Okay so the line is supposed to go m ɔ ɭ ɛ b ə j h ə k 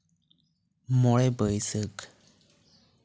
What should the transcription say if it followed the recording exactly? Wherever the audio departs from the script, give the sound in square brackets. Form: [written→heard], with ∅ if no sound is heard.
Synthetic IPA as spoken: m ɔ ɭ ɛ b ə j [h→s] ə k